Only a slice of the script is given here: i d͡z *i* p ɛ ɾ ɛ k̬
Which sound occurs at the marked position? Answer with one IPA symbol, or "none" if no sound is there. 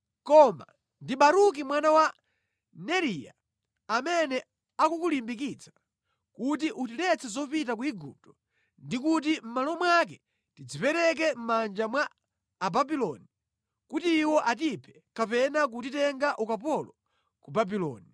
i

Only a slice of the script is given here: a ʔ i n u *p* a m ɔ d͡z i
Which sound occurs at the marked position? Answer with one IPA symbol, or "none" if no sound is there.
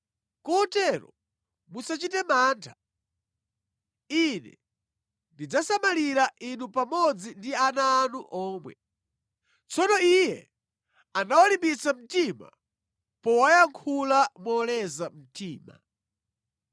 p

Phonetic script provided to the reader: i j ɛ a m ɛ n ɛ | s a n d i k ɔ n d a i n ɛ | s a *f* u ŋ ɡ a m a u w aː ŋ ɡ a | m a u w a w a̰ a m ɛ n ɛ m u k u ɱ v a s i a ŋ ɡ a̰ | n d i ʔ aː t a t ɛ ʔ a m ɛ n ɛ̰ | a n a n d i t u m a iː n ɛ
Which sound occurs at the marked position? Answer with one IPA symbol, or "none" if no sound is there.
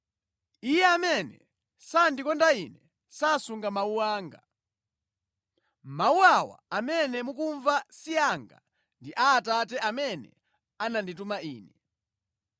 s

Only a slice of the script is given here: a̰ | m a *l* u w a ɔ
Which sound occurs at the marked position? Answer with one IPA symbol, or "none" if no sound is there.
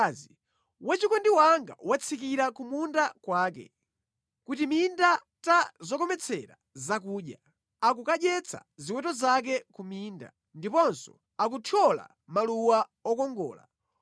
l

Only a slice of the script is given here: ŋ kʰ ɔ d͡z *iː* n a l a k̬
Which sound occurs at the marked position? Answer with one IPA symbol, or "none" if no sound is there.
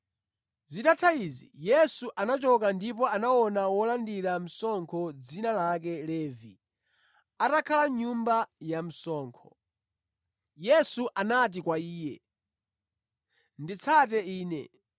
i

